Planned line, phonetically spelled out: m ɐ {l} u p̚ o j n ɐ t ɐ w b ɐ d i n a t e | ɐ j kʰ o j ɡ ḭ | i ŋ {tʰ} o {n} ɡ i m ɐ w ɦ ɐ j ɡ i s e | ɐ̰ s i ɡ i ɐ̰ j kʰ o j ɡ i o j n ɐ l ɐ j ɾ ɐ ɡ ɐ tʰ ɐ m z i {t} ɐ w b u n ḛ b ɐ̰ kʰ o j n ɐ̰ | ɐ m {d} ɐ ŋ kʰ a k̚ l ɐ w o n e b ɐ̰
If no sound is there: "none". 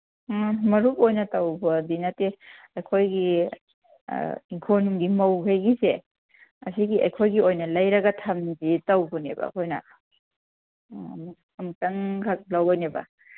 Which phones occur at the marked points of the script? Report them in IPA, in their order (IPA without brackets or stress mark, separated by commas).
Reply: ɾ, kʰ, n, t, t